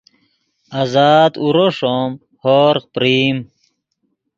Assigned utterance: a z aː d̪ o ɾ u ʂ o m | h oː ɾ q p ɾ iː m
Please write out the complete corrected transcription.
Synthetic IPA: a z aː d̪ u ɾ o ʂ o m | h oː ɾ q p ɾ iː m